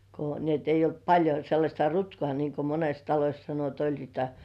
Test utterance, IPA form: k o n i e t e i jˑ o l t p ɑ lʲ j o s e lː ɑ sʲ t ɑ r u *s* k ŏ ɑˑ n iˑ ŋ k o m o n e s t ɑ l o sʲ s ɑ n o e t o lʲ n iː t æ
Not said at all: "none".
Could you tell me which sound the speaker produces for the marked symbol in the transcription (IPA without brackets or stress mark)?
t